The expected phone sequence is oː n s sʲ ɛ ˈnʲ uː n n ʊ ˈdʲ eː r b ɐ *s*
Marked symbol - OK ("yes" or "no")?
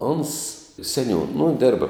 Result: no